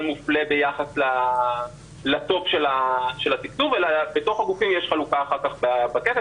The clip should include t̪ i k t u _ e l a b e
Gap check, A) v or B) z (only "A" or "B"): A